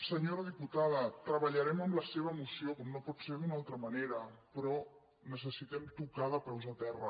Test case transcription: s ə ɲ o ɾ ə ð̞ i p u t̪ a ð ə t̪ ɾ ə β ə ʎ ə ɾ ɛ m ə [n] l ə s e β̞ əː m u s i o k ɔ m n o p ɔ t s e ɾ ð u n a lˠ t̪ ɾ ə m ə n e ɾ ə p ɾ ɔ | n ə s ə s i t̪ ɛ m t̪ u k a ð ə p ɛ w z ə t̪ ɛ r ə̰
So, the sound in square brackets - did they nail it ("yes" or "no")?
no